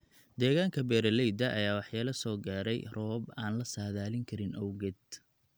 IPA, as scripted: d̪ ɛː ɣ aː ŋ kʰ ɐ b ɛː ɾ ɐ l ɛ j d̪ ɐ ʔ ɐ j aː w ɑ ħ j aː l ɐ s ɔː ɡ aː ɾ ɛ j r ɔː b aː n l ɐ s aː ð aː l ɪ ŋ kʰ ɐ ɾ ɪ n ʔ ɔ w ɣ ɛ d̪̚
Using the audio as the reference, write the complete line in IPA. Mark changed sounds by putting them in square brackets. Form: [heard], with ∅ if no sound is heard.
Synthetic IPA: d̪ ɛː ɣ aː ŋ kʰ ɐ b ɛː ɾ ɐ l ɛ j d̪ ɐ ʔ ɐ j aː w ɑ ħ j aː l ɐ s ɔː ɡ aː ɾ ɛ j r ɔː b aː n l ɐ s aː ð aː l ɪ ŋ kʰ ɐ ɾ ɪ n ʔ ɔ w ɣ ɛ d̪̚